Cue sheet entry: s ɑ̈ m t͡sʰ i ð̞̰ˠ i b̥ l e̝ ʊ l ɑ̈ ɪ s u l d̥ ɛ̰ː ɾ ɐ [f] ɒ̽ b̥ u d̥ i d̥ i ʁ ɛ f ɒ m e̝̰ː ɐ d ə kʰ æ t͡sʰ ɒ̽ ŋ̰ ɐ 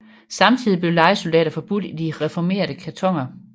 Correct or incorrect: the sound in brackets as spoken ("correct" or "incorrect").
correct